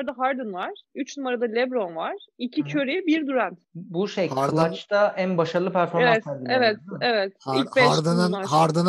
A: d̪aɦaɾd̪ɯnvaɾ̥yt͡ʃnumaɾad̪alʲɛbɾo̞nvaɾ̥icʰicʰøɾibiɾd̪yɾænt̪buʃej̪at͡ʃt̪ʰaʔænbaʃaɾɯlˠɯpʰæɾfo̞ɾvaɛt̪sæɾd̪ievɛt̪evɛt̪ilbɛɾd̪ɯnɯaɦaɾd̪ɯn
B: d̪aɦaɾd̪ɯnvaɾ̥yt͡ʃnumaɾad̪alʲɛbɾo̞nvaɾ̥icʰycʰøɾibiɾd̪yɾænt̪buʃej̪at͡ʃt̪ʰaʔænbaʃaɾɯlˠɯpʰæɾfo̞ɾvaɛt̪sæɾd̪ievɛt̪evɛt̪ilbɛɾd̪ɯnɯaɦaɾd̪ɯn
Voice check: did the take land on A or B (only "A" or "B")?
A